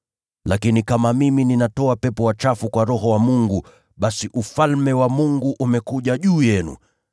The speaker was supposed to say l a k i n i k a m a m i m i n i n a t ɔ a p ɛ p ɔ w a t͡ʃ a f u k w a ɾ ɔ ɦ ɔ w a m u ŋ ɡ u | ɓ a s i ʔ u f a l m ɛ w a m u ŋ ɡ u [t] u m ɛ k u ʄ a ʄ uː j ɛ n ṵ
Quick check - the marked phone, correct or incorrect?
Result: incorrect